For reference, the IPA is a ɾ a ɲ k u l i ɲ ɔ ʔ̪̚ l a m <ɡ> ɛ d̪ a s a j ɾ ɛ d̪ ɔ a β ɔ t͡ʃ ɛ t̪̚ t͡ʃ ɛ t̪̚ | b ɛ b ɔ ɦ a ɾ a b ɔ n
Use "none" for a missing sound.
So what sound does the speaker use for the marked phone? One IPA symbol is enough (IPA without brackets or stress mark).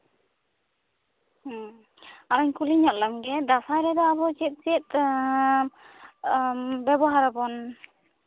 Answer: ɡ